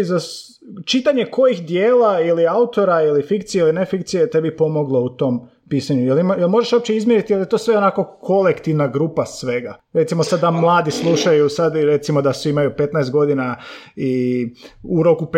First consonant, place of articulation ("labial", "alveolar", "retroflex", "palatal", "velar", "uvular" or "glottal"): alveolar